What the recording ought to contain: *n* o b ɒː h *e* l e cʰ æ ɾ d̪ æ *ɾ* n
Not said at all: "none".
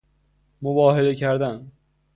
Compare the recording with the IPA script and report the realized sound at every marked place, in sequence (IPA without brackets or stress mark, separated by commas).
m, e, none